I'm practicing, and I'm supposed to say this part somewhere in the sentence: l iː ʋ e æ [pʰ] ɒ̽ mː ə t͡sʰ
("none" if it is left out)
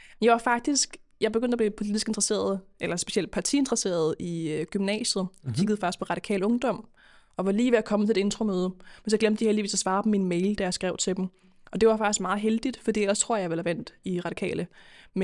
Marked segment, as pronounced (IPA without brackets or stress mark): kʰ